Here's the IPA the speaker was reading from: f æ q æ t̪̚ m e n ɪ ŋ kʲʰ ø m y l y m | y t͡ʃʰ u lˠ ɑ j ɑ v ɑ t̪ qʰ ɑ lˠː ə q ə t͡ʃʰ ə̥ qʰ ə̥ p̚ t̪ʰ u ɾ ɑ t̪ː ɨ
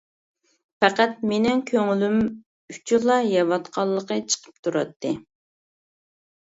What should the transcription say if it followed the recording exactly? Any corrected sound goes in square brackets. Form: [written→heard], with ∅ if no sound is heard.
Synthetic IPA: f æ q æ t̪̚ m e n ɪ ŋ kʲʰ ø [m→ŋ] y l y m | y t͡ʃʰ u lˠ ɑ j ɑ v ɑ t̪ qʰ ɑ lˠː ə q ə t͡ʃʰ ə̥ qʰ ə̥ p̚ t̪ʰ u ɾ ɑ t̪ː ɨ